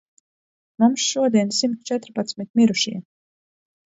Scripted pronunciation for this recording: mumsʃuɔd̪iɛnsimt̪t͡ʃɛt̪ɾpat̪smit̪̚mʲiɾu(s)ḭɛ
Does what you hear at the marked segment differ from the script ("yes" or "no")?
yes